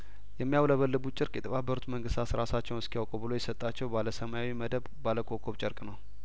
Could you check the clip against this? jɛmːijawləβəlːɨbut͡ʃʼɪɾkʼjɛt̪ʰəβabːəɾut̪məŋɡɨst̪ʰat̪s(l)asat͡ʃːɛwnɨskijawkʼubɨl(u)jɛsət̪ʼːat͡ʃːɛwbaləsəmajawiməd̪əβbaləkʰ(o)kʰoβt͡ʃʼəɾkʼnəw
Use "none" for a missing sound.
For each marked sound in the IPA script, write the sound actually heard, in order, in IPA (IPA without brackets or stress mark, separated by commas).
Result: ɾ, o, o